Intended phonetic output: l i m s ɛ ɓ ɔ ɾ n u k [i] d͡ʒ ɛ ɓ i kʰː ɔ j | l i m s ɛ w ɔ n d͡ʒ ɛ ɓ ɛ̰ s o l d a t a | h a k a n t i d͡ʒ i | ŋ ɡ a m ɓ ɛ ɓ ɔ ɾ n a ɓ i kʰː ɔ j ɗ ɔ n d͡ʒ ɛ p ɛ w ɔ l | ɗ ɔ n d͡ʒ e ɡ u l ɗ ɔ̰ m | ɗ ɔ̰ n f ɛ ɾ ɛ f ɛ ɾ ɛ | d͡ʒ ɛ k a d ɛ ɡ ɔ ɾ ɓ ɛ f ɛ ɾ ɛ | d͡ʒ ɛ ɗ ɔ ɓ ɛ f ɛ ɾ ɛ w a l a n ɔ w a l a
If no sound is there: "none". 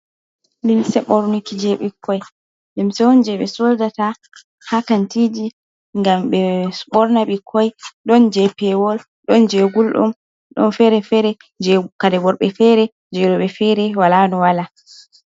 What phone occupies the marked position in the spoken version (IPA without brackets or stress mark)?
i